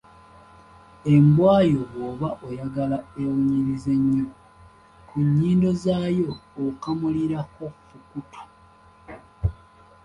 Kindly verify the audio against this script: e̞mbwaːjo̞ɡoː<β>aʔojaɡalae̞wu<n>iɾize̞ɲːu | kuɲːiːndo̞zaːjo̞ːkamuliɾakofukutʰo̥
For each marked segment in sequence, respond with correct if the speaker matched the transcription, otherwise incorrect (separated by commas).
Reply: correct, incorrect